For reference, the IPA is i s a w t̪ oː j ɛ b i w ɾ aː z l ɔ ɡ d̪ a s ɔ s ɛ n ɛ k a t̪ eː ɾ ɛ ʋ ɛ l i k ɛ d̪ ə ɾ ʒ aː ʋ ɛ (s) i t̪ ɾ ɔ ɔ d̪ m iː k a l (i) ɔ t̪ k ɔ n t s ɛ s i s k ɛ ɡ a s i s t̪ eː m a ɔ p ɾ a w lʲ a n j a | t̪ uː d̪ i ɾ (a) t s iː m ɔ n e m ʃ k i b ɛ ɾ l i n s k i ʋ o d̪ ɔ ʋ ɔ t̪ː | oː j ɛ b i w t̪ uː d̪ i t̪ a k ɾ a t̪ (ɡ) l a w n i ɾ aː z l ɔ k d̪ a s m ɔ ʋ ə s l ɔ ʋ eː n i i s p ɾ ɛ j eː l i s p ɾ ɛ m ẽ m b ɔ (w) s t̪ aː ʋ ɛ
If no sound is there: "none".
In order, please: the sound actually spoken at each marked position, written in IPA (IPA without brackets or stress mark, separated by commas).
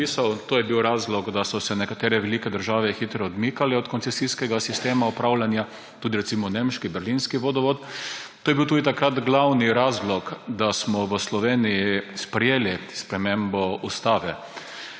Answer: x, ɛ, ɛ, ɡ, u